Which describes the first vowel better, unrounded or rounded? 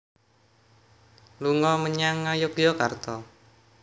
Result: rounded